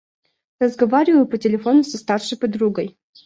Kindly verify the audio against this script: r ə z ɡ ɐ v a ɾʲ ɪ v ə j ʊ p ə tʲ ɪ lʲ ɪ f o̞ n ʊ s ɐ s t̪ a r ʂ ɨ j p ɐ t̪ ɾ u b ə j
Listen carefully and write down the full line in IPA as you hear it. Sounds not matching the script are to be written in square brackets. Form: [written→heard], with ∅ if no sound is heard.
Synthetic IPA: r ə z ɡ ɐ v a ɾʲ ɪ v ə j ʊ p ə tʲ ɪ lʲ ɪ f o̞ n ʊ s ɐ s t̪ a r ʂ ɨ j p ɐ [t̪→d̪] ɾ u [b→ɡ] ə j